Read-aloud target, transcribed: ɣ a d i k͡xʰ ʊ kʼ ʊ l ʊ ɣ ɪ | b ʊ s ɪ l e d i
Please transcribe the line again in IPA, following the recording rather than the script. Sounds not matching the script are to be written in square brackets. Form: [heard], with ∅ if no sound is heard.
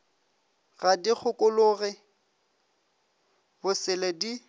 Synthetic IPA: ɣ a d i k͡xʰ ʊ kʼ ʊ l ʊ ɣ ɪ | b ʊ s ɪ l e d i

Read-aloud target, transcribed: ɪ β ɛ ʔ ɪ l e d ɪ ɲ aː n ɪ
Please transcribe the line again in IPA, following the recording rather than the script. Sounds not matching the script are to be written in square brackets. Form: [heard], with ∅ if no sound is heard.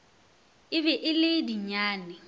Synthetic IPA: ɪ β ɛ ʔ ɪ l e d [i] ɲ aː n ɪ

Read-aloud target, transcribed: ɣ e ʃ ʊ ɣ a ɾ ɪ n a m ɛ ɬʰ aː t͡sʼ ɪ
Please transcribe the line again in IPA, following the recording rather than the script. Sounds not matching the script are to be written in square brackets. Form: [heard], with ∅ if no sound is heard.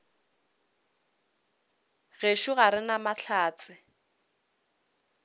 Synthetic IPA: ɣ e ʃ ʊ ɣ a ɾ ɪ n a m [a] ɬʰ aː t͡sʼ ɪ

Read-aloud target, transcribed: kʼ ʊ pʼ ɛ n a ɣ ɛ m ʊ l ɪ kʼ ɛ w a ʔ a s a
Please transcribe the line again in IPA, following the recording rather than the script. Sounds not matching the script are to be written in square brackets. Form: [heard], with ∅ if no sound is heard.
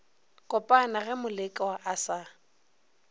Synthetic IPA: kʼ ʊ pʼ [a] n a ɣ ɛ m ʊ l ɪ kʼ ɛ w a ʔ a s a

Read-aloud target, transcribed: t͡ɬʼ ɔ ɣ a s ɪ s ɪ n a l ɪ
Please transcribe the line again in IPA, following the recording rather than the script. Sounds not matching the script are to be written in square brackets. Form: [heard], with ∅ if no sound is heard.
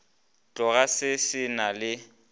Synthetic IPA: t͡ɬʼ ɔ ɣ a s ɪ s ɪ n a l ɪ

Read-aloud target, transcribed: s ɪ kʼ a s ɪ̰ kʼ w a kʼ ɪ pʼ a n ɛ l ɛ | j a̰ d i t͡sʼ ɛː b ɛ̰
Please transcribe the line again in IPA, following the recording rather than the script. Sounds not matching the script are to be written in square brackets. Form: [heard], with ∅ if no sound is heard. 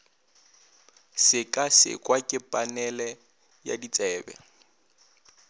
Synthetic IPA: s ɪ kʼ a s ɪ̰ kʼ w a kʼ ɪ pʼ a n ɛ l ɛ | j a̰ d i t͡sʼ ɛː b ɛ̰

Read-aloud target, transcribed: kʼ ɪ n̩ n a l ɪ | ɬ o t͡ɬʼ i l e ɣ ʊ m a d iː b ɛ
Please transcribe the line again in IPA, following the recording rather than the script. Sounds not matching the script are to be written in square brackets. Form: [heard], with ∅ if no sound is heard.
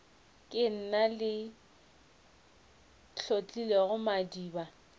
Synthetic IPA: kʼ ɪ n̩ n a l ɪ | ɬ o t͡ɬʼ i l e ɣ ʊ m a d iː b [a]

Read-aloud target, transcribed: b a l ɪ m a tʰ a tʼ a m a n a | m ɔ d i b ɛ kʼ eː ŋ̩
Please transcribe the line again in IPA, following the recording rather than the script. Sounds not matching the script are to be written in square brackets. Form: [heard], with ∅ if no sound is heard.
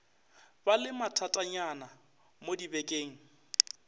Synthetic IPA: b a l ɪ m a tʰ a tʼ a [ɲ] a n a | m [o] d i b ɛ kʼ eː ŋ̩

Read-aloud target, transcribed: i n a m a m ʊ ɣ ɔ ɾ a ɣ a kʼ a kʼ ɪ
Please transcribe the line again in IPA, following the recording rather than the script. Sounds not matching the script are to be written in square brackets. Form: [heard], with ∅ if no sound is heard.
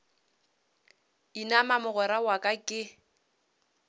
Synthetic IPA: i n a m a m ʊ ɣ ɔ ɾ a [w] a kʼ a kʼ ɪ

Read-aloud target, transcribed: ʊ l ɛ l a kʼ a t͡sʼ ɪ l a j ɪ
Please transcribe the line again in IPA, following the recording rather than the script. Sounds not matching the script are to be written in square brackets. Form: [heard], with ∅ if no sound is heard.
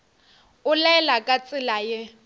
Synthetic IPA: ʊ l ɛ l a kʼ a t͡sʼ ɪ l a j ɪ

